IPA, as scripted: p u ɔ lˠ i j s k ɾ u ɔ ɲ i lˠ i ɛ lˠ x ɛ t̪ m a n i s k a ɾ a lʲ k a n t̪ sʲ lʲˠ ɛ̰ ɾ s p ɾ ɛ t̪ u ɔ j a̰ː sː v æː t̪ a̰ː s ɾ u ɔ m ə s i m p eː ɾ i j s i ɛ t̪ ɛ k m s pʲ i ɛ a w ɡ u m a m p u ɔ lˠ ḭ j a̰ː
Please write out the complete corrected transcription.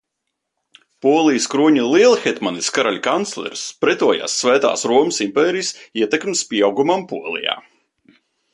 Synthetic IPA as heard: p u ɔ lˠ i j s k ɾ u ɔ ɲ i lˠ i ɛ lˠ x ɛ t̪ m a n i s k a ɾ a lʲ k a n t̪ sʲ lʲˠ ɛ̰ ɾ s p ɾ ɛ t̪ u ɔ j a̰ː sː v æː t̪ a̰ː s ɾ u ɔ m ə s i m p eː ɾ i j s i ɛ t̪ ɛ k m s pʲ i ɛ a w ɡ u m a m p u ɔ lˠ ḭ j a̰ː